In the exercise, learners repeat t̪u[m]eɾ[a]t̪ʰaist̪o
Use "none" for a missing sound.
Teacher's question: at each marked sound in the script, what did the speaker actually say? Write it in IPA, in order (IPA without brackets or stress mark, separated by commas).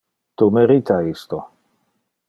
m, i